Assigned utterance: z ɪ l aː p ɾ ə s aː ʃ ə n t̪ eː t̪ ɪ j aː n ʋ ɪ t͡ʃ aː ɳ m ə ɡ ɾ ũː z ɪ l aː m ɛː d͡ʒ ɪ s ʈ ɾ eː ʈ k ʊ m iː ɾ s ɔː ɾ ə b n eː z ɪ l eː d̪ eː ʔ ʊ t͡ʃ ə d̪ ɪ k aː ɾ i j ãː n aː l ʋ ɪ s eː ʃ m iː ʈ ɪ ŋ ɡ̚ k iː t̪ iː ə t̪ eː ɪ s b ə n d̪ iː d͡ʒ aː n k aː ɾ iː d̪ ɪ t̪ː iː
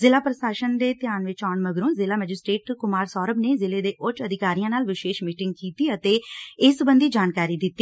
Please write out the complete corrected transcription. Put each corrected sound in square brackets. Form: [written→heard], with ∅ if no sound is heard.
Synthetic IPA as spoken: z ɪ l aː p ɾ ə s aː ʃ ə n [t̪→d̪] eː t̪ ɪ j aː n ʋ ɪ t͡ʃ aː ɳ m ə ɡ ɾ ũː z ɪ l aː m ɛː d͡ʒ ɪ s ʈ ɾ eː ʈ k ʊ m [iː→aː] ɾ s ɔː ɾ ə b n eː z ɪ l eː d̪ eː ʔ ʊ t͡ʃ ə d̪ ɪ k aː ɾ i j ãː n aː l ʋ ɪ [s→ʃ] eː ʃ m iː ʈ ɪ ŋ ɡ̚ k iː t̪ iː ə t̪ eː ɪ s b ə n d̪ iː d͡ʒ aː n k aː ɾ iː d̪ ɪ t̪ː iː